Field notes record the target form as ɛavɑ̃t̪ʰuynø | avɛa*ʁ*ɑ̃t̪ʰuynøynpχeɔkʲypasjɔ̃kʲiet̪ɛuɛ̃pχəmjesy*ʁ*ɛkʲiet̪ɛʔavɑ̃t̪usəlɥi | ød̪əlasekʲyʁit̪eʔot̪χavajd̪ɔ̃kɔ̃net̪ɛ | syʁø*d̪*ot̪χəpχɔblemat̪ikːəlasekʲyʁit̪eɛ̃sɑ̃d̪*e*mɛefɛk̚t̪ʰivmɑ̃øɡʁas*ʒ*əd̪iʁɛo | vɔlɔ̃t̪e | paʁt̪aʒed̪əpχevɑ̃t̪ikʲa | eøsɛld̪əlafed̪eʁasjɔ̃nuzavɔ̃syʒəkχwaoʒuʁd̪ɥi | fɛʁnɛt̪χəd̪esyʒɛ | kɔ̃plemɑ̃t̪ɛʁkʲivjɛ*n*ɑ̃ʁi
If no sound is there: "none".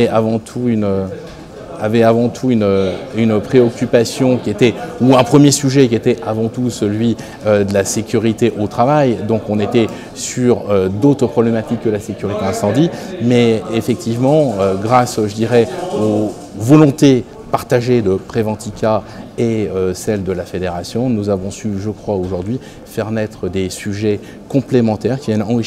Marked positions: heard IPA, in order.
v, ʒ, d̪, i, ʒ, n

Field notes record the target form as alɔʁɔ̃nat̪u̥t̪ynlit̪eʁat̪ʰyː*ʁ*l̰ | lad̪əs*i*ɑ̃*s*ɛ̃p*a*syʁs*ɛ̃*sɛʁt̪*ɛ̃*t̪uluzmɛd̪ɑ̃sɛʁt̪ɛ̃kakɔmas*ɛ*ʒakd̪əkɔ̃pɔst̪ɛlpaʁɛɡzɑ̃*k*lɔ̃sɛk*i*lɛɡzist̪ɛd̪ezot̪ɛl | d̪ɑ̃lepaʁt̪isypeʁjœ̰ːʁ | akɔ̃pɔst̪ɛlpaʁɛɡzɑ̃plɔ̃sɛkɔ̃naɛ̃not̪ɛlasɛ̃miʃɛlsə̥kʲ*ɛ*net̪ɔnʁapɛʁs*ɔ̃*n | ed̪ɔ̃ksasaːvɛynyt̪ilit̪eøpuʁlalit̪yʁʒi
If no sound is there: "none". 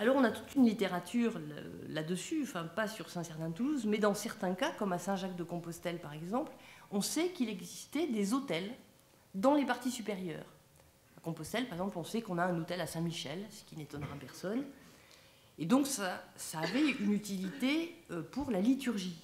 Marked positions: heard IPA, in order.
ʁ, y, f, a, ɛ̃, ɛ̃, ɛ̃, p, i, i, ɔ

